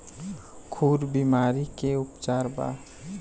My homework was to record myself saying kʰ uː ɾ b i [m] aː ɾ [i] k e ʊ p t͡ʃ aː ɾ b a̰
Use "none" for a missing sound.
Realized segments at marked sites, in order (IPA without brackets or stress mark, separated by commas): m, i